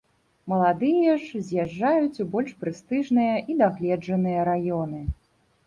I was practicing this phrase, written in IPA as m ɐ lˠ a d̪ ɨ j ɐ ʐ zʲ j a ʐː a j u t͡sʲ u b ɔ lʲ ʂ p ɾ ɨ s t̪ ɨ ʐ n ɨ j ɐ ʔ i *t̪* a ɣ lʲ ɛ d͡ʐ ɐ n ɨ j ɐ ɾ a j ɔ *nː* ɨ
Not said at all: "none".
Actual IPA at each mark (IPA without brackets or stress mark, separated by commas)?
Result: d̪, n